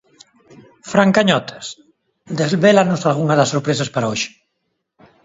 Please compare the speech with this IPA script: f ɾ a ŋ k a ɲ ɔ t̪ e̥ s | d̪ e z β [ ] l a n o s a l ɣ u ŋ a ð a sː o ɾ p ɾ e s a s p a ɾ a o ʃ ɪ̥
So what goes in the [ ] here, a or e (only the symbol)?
e